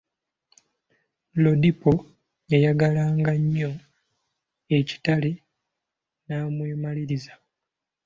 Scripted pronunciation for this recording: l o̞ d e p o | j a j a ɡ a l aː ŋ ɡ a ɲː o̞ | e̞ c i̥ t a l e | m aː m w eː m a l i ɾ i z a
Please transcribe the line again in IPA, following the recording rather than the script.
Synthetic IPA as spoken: l o̞ d i p o | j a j a ɡ a l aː ŋ ɡ a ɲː o̞ | e̞ c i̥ t a l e | n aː m w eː m a l i ɾ i z a